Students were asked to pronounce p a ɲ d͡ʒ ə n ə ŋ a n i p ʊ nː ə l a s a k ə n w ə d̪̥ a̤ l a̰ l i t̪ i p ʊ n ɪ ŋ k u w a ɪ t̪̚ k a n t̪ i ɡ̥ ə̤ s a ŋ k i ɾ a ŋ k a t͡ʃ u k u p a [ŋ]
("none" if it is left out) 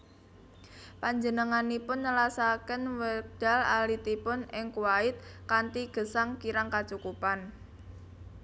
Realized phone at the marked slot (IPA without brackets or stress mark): n